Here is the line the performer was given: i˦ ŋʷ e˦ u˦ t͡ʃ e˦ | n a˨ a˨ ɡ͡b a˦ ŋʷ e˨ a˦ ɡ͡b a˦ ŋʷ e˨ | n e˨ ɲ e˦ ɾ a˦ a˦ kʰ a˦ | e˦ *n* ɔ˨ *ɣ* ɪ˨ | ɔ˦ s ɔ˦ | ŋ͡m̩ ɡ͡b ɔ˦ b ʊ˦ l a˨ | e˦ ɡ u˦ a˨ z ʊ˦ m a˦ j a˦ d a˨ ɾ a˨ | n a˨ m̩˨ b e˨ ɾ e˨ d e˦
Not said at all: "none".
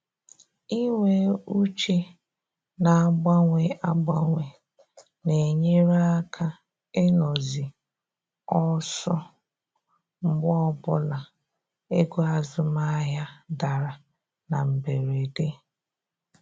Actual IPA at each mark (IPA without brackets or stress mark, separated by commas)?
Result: n, z